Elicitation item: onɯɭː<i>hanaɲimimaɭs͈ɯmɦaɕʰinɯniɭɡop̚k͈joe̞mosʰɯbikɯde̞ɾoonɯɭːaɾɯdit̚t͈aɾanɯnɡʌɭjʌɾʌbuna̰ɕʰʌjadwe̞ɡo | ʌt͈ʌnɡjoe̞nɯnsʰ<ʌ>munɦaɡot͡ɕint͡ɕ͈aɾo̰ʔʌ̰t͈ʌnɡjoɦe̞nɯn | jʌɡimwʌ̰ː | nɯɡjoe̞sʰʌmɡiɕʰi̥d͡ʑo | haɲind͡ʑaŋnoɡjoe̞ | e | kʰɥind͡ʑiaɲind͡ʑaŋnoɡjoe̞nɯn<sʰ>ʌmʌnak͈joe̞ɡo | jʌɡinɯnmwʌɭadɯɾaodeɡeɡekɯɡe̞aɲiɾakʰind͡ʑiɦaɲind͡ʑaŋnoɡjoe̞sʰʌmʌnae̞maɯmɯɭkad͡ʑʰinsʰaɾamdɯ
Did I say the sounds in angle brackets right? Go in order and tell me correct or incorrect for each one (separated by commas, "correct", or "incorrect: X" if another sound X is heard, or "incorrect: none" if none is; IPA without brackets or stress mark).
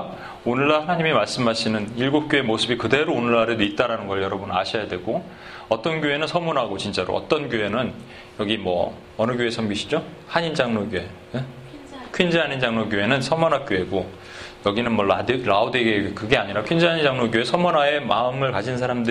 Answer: incorrect: a, correct, correct